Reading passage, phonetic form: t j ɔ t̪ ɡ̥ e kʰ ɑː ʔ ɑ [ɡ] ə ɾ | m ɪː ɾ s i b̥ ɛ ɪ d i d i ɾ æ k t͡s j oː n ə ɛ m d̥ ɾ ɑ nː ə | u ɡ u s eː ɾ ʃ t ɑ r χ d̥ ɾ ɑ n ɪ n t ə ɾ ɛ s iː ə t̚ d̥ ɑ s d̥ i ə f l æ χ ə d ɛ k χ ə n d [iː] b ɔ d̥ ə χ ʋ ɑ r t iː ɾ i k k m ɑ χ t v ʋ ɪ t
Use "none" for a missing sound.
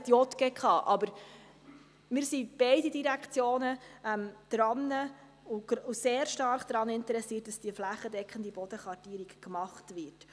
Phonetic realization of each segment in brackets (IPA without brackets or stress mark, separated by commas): b, i